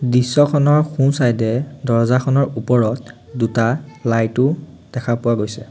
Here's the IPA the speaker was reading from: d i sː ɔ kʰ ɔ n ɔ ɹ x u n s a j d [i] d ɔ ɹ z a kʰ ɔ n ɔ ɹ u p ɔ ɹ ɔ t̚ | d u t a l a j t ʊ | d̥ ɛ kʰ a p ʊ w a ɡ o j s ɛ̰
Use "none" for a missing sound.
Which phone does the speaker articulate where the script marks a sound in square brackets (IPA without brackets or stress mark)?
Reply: ɛ